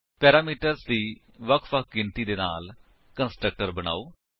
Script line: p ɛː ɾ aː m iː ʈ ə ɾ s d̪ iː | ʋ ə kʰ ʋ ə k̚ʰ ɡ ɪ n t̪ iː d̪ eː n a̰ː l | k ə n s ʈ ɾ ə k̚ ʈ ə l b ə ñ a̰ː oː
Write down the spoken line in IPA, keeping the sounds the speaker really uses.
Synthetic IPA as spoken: p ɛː ɾ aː m iː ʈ ə ɾ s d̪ iː | ʋ ə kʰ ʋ ə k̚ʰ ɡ ɪ n t̪ iː d̪ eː n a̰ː l | k ə n s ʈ ɾ ə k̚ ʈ ə ɾ b ə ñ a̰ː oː